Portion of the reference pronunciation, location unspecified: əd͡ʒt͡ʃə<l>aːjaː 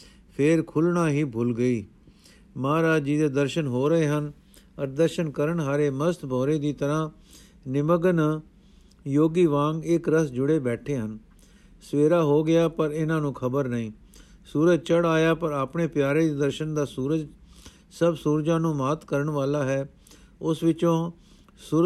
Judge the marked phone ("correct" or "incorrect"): incorrect